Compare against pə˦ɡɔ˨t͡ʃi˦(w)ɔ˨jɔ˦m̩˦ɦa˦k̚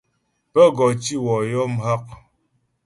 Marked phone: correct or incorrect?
correct